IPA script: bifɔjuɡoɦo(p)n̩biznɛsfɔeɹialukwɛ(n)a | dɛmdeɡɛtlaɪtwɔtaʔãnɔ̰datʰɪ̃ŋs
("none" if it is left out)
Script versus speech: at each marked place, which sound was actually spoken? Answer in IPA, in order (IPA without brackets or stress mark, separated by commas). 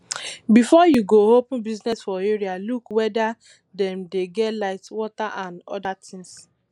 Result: p, d